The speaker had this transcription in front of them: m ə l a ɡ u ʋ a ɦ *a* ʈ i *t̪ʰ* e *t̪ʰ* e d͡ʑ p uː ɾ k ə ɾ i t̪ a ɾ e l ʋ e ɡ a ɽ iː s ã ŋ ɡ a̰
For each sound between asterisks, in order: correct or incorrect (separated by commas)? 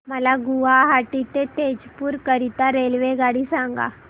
correct, incorrect, incorrect